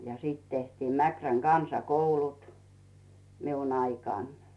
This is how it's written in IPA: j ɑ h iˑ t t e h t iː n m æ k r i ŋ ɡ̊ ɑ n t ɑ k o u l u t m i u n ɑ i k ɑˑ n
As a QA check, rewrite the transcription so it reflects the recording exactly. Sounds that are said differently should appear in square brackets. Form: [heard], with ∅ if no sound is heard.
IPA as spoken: j ɑ [s] iˑ t t e h t iː [m] m æ k r [æ] ŋ ɡ̊ ɑ n [s] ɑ k o u l u t m i u n ɑ i k ɑˑ n

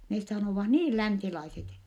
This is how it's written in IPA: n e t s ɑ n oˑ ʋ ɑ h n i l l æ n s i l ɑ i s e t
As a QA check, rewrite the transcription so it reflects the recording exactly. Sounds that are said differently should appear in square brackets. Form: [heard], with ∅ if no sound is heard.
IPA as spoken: n e [s] s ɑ n oˑ ʋ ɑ h n [iː] l l æ n s i l ɑ i s e t

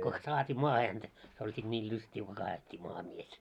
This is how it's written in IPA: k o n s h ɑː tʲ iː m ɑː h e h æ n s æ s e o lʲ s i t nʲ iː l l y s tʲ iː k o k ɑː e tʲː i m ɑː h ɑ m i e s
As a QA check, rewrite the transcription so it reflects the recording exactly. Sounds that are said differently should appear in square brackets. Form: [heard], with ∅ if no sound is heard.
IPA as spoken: k o n s [s] ɑː tʲ iː m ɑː h e h æ n [t] æ s e o lʲ s i t nʲ iː l l y s tʲ iː k o k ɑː e tʲː i m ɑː h ɑ m i e s

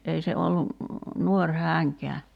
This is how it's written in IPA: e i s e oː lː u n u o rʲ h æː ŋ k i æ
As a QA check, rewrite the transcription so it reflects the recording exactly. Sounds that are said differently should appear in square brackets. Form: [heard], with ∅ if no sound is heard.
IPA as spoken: e i s e [o] lː u n u o rʲ h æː ŋ k [e] æ

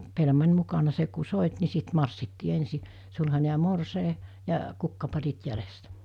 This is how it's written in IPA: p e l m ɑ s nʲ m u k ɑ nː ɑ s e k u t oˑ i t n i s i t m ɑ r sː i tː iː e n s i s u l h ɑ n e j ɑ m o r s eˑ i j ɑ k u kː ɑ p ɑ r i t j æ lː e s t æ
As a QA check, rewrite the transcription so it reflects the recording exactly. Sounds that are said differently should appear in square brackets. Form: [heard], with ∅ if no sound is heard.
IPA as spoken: p e l m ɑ [∅] nʲ m u k ɑ [n] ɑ s e k u [s] oˑ i t n i s i t m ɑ r sː i tː iː e n s i s u l h ɑ n e j ɑ m o r s eˑ i j ɑ k u kː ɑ p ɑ r i t j æ [l] e s t æ

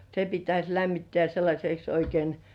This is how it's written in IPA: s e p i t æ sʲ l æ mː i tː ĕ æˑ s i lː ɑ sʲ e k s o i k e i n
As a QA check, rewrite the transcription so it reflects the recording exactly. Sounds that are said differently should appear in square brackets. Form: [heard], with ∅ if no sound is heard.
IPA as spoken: s e p i t æ sʲ l æ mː i tː ĕ æˑ s [e] lː ɑ sʲ e k s o i k e i n

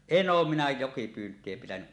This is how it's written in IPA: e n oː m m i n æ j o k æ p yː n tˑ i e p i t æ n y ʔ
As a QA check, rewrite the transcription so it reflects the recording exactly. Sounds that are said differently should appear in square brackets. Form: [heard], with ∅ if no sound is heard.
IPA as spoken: e n oː m m i n æ j o k [i] p yː n tˑ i e p i t æ n y ʔ

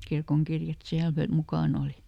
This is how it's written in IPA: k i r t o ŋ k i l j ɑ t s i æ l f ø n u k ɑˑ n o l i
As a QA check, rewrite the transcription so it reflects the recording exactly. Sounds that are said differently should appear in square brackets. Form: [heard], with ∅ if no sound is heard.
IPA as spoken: k i r [k] o ŋ k i [r] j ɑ t s i æ l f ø [m] u k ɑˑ n o l i

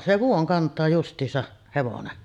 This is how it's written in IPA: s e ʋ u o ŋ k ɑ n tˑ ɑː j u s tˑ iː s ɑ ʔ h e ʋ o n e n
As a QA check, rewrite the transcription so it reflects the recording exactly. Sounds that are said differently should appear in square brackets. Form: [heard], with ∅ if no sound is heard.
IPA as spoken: s e ʋ u o ŋ k ɑ n tˑ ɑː j u s tˑ iː s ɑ ʔ h e ʋ o n e n

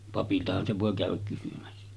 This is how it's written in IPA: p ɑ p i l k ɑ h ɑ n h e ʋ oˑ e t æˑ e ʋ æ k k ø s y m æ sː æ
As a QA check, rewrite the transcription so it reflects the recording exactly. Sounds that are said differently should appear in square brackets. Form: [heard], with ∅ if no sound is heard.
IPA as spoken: p ɑ p i l [t] ɑ h ɑ n [s] e ʋ oˑ e [k] æˑ [ø] ʋ æ k k [y] s y m æ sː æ

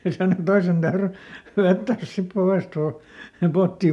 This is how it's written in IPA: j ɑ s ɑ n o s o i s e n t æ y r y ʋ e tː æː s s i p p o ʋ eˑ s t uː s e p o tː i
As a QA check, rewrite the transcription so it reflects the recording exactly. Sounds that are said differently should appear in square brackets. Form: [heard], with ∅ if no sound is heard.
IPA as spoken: j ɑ s ɑ n o [t] o i s e n t æ y r y ʋ e tː æː s s i p p o ʋ eˑ s t uː s e p o tː i

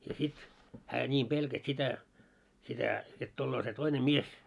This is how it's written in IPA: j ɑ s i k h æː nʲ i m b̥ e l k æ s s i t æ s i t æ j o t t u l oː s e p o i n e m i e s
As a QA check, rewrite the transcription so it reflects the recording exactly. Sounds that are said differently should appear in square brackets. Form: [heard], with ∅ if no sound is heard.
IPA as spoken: j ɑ s i [t] h æː nʲ [iː] m b̥ e l k æ s s i t æ s i t æ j o t t u [lː] oː s e [t] o i n e m i e s

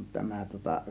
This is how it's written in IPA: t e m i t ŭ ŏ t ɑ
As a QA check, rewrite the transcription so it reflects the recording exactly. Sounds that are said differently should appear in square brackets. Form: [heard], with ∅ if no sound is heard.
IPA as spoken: t [æ] m [æ] t ŭ ŏ t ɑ

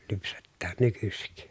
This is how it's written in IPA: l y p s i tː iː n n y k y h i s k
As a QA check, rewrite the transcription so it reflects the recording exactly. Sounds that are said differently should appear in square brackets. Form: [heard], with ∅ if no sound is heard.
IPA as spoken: l y p s [e] tː [æː] n n y k y [s] i [∅] k

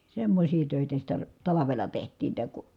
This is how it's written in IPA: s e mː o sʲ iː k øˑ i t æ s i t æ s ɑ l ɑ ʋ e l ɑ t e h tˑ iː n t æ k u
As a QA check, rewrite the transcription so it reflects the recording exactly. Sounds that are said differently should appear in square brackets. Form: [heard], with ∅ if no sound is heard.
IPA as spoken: s e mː o sʲ iː [t] øˑ i t æ s i t æ [t] ɑ l ɑ ʋ e l ɑ t e h tˑ iː n t æ k u

